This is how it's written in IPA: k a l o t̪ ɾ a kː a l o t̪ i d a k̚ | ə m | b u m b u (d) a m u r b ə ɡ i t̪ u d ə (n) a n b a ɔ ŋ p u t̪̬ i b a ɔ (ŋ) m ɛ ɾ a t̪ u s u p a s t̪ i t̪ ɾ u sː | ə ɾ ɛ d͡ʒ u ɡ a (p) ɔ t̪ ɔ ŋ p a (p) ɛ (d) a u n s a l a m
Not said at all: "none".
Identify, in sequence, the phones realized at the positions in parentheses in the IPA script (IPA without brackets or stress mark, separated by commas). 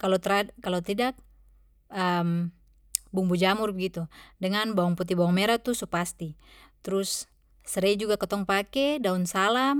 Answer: d͡ʒ, ŋ, ŋ, k, k, d